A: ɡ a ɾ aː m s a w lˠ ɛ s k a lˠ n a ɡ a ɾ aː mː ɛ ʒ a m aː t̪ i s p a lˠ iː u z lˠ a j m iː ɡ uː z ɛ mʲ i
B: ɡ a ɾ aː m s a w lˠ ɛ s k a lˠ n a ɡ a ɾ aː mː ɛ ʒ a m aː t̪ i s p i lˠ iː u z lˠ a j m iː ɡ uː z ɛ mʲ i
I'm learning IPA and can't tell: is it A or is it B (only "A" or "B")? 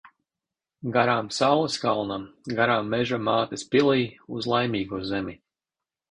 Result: B